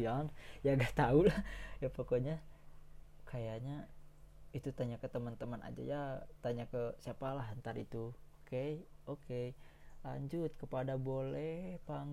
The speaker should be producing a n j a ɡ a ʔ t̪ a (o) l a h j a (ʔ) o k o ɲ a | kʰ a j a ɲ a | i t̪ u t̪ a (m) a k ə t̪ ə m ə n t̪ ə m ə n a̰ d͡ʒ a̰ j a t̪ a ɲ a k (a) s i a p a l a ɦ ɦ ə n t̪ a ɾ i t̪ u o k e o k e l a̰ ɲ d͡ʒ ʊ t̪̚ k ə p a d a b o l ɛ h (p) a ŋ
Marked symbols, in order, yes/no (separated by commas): no, no, no, no, yes